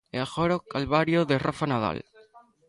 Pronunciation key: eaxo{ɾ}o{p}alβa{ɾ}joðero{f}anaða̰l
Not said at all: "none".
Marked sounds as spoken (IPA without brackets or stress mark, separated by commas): ɾ, k, ɾ, f